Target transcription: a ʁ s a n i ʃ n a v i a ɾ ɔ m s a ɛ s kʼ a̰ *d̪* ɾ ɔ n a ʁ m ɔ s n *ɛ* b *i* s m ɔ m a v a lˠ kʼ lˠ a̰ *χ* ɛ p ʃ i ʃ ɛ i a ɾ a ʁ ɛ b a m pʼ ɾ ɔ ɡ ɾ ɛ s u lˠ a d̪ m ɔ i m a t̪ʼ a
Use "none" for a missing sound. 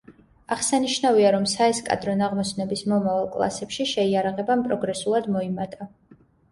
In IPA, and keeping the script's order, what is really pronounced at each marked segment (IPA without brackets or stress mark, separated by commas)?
d̪, ɛ, i, s